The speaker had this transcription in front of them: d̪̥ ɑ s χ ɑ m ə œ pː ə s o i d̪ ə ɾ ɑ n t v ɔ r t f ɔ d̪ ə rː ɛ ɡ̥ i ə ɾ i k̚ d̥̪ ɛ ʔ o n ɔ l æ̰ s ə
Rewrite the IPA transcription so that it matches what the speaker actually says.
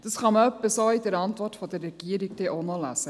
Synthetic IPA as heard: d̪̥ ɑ s χ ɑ m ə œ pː ə s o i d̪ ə ɾ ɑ n t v ɔ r t f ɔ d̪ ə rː ɛ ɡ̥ i ə ɾ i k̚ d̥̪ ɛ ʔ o n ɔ l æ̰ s ə

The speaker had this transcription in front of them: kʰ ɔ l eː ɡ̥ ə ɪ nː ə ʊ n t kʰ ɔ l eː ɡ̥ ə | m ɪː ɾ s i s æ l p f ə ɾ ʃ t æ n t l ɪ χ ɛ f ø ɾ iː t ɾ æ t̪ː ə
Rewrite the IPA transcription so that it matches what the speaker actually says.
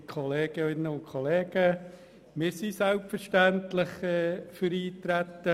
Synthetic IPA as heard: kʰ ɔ l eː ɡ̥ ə ɪ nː ə ʊ n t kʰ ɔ l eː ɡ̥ ə | m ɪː ɾ s i s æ l p f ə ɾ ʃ t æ n t l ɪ χ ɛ f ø ɾ iː t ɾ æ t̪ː ə

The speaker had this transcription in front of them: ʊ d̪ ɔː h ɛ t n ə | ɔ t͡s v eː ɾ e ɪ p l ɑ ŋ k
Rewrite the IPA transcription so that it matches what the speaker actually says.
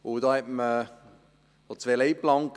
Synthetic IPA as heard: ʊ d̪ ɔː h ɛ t m ə | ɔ t͡s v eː l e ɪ p l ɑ ŋ k

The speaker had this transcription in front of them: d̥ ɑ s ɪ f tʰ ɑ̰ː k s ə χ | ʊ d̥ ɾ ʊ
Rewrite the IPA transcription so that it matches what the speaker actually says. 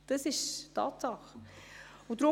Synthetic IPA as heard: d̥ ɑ s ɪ ʃ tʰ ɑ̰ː t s ɑ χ | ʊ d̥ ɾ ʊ

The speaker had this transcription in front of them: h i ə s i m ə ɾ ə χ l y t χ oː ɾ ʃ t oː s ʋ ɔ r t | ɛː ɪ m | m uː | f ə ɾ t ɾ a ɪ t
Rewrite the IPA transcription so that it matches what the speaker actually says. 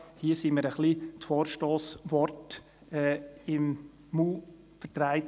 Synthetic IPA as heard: h i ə s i m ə ɾ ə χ l i t f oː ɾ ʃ t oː s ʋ ɔ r t | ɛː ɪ m | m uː | f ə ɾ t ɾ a ɪ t

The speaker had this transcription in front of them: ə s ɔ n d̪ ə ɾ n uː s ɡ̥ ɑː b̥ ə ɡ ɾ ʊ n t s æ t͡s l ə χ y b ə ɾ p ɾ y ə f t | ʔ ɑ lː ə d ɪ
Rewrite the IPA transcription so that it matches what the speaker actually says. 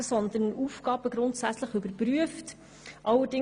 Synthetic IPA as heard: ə s ɔ n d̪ ə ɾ n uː f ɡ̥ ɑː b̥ ə ɡ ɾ ʊ n t s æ t͡s l ə χ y b ə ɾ p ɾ y ə f t | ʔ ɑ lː ə d ɪ

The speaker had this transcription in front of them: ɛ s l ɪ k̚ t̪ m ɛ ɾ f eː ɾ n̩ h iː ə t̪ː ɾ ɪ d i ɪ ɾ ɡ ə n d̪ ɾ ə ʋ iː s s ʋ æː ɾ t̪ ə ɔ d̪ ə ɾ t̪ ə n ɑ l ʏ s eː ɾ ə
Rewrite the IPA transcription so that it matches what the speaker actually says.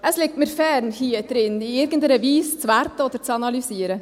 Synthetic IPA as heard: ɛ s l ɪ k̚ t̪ m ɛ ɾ f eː ɾ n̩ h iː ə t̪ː ɾ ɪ n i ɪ ɾ ɡ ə n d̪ ɾ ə ʋ iː s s ʋ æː ɾ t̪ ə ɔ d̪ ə ɾ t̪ ɑ n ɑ l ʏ s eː ɾ ə

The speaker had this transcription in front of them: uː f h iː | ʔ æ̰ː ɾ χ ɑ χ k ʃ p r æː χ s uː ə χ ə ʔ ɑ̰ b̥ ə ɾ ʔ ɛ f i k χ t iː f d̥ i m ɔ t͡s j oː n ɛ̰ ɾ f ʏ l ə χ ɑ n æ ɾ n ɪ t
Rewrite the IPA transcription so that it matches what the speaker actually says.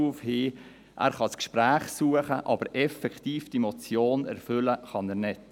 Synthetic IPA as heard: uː f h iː | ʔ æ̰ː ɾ χ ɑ s k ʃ p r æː χ s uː ə χ ə ʔ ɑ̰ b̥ ə ɾ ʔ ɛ f ɛ k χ t iː f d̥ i m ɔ t͡s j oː n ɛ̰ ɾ f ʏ l ə χ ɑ n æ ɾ n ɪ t

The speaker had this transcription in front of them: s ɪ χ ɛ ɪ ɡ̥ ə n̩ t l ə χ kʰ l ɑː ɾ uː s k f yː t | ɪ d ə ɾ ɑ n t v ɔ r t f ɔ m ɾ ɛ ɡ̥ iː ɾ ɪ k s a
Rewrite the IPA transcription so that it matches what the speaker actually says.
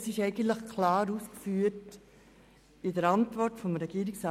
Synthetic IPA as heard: s ɪ ʃ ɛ ɪ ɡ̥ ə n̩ t l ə χ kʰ l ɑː ɾ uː s k f yː t | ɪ d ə ɾ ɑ n t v ɔ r t f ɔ m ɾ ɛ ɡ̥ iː ɾ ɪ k s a

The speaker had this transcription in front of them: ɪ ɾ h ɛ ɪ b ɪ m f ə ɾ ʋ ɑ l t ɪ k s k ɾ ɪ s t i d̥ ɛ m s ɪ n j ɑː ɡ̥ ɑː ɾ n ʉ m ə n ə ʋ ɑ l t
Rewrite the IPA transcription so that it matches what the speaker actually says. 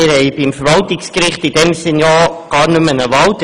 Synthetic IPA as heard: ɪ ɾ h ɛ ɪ b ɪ m f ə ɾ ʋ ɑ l t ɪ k s k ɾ ɪ χ t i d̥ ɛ m s ɪ n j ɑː ɡ̥ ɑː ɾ n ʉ m ə n ə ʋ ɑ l t

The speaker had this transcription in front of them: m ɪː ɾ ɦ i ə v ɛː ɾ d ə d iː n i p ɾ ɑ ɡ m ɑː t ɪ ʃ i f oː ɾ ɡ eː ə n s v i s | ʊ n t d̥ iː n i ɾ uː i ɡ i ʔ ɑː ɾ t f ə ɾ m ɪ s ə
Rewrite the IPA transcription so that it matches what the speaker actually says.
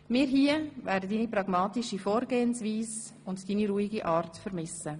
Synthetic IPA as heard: m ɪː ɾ ɦ i ə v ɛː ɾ d ə d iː n i p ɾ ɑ ɡ m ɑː t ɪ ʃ i f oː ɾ ɡ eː ə n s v iː s | ʊ n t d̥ iː n i ɾ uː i ɡ i ʔ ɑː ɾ t f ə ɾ m ɪ s ə

